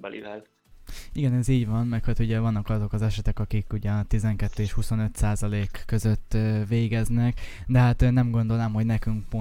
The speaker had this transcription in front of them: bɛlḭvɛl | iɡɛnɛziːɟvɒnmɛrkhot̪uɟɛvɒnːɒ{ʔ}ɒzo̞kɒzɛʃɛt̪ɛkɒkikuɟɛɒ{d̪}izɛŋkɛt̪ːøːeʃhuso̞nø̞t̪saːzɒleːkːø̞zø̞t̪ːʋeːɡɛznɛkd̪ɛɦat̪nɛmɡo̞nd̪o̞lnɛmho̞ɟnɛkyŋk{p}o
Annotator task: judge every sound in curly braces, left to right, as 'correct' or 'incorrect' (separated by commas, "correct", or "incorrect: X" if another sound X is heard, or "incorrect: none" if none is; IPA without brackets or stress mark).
incorrect: k, incorrect: t̪, correct